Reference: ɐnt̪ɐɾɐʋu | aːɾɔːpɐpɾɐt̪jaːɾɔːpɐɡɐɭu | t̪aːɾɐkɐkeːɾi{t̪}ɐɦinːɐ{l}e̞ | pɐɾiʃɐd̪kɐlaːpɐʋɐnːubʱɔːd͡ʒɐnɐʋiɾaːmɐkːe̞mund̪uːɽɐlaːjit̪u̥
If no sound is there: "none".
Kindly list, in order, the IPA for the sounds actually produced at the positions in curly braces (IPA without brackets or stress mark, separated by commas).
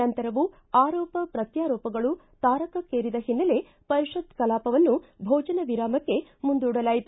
d̪, l